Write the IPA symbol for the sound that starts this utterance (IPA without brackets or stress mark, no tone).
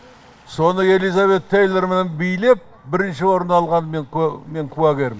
s